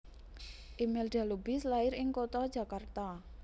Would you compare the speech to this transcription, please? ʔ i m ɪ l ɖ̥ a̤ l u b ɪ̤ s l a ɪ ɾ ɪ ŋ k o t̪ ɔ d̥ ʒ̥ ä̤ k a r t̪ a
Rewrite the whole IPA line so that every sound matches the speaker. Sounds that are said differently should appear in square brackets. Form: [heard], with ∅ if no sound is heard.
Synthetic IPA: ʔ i m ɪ l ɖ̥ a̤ l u b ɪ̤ s l a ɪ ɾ ɪ ŋ k o t̪ ɔ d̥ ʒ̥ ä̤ k a r t̪ a